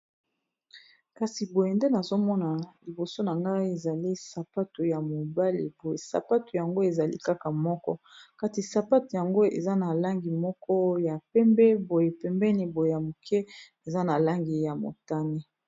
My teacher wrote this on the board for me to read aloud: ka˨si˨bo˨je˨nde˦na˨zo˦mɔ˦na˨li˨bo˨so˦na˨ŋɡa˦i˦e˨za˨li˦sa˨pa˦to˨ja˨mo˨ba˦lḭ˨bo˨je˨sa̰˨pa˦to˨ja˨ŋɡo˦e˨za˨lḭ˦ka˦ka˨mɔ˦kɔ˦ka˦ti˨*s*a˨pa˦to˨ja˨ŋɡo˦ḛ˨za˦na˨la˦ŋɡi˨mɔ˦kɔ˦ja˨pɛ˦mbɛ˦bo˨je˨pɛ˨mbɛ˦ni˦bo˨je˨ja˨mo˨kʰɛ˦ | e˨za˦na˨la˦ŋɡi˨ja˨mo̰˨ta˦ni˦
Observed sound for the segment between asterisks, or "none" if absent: s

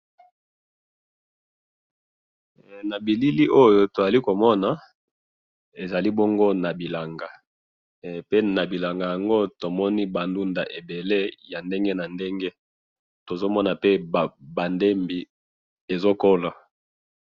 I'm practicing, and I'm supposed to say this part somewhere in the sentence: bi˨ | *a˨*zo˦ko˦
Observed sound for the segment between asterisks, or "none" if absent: e˨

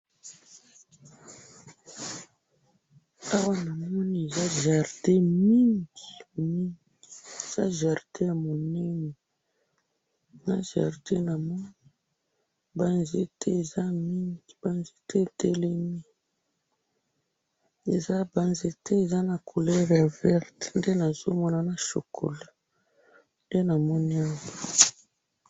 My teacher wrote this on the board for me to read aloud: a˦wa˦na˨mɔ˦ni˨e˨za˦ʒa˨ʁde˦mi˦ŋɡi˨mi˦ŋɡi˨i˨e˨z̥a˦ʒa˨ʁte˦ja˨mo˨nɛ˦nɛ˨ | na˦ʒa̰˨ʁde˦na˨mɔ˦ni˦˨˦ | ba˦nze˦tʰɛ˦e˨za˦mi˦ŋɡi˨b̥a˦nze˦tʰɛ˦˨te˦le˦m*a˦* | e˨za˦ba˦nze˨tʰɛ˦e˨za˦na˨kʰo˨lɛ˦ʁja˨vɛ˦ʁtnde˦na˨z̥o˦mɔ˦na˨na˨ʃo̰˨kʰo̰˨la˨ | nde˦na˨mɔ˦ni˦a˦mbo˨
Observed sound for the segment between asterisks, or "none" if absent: i˦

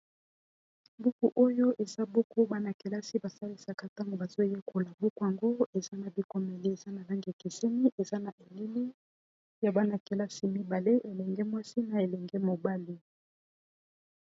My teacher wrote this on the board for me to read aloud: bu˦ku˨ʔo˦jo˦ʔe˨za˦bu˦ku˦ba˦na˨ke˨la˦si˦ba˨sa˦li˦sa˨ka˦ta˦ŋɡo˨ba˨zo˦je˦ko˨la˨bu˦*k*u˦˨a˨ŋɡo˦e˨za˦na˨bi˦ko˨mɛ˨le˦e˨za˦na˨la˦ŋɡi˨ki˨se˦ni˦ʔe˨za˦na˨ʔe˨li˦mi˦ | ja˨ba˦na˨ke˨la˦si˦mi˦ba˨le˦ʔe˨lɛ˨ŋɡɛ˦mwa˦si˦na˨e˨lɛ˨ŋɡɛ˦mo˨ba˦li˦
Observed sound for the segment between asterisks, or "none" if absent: k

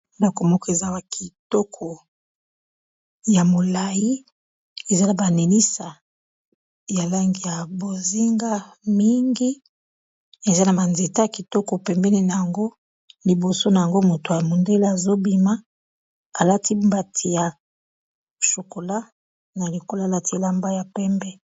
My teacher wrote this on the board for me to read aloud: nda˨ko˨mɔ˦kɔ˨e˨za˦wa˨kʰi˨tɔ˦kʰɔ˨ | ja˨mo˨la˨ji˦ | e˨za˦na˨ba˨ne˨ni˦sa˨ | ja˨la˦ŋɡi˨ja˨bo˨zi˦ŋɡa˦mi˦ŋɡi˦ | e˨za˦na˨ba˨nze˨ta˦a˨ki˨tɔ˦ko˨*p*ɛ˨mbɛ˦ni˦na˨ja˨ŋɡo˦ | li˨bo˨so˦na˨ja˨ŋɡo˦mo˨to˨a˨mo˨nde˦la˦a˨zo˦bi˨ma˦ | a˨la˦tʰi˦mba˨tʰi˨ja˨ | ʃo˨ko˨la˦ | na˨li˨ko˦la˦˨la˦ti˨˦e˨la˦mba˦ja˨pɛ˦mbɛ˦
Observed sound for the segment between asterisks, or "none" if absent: p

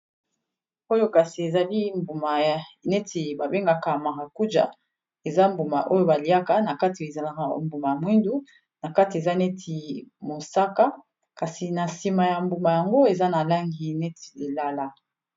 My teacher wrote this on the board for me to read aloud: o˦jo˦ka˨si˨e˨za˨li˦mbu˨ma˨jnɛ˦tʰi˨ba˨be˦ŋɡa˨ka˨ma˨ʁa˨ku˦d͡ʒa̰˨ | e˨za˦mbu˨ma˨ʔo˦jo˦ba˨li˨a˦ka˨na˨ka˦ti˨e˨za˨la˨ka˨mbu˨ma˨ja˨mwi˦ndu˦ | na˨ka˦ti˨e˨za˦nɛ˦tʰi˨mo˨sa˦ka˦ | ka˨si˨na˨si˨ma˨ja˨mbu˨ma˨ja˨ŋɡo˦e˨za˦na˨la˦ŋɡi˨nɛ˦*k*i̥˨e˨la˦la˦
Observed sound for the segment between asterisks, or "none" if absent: t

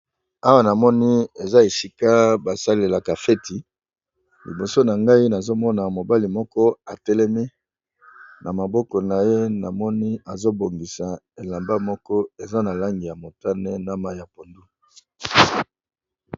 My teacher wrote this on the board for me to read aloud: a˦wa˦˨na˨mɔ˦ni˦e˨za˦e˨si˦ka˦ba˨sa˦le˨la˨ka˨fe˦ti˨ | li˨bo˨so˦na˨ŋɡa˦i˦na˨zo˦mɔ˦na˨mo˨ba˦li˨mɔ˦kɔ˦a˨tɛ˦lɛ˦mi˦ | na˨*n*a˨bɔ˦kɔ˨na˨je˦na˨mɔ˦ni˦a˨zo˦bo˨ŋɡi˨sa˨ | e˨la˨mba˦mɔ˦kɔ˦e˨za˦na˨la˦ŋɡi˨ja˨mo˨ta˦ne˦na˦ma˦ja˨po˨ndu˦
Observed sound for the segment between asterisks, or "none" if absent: m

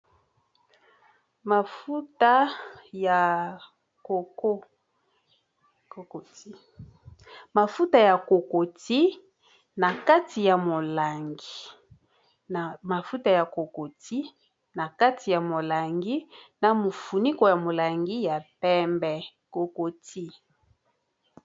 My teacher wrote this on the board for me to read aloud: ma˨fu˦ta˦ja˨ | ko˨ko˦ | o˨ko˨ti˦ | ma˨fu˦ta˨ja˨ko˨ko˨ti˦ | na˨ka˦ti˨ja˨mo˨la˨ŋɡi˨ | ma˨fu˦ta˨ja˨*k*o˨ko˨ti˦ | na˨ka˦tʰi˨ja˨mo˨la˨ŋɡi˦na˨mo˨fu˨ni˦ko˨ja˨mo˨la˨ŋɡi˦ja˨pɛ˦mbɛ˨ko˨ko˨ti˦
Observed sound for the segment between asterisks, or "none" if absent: k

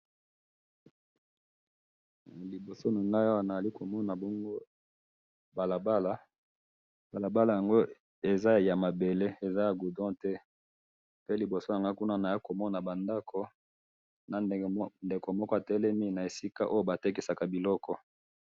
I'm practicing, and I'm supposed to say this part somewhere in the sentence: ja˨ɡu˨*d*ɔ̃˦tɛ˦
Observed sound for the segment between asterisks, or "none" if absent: d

